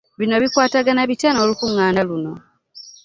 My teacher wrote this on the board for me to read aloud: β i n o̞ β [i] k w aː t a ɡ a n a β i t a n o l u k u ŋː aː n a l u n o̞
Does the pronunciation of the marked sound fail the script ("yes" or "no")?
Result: no